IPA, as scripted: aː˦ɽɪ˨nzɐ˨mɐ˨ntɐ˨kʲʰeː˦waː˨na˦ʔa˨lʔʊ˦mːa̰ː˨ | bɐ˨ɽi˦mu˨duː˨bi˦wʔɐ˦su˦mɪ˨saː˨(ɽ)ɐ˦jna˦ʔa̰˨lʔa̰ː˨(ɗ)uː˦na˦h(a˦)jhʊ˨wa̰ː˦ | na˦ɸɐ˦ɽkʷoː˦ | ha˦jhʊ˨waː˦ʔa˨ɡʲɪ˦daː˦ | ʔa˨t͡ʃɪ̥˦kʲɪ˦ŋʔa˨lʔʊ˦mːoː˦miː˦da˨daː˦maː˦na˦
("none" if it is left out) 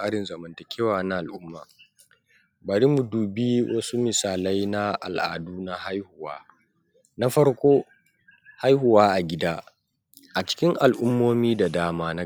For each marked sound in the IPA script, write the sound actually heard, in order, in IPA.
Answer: l, d, a˦

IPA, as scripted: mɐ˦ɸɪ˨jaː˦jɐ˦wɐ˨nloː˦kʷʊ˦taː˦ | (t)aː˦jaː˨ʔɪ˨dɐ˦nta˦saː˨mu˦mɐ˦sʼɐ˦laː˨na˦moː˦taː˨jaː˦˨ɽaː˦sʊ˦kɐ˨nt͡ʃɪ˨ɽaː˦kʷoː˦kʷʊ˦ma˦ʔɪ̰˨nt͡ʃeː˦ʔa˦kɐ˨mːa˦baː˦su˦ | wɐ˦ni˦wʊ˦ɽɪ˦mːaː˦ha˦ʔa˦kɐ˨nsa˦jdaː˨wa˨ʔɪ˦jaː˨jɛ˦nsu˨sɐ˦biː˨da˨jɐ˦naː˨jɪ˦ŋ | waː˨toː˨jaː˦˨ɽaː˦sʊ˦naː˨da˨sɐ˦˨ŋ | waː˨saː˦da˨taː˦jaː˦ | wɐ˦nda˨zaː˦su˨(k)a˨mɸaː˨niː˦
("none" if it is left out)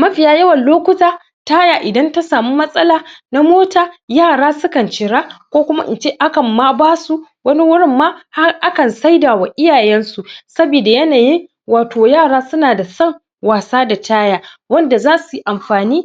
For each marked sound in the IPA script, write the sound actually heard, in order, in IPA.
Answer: t, ʔ

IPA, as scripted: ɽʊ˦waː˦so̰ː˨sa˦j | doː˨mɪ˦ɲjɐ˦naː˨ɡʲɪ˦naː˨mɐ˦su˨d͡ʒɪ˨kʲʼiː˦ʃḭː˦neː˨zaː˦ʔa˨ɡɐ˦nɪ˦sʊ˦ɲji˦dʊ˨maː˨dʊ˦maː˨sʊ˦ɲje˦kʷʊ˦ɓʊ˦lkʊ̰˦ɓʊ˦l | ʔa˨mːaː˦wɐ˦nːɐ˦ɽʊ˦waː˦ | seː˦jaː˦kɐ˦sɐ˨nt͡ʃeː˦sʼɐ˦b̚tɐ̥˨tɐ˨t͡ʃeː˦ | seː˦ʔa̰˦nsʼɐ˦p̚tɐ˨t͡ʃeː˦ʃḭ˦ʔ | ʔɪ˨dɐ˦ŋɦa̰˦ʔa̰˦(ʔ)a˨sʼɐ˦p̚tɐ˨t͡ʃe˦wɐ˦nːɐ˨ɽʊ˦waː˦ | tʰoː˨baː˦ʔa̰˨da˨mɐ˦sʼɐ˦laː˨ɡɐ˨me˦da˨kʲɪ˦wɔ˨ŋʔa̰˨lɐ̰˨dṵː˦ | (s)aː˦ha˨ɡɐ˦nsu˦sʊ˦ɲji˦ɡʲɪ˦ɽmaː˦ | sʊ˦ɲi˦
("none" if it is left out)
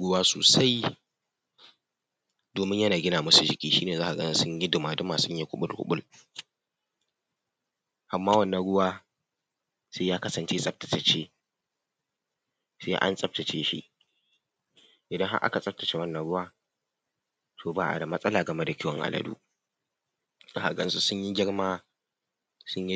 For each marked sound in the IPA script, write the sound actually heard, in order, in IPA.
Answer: k, z

